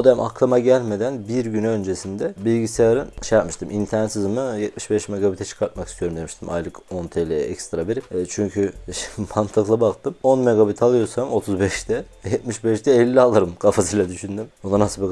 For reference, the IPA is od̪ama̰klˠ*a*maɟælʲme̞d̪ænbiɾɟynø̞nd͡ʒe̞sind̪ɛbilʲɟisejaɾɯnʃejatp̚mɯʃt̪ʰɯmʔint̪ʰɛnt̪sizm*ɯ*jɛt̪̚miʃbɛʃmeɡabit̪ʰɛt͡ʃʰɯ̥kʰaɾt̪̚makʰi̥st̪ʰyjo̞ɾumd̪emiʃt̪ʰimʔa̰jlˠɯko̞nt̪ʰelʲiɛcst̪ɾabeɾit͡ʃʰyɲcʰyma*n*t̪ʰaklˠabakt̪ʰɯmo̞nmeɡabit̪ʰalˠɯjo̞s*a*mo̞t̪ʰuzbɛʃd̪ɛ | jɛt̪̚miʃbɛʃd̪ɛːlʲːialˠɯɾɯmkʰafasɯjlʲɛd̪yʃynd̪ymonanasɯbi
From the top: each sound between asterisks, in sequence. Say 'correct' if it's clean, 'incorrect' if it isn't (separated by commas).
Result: correct, correct, correct, correct